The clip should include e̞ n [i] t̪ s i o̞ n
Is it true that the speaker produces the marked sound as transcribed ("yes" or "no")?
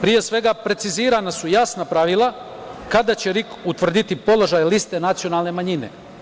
no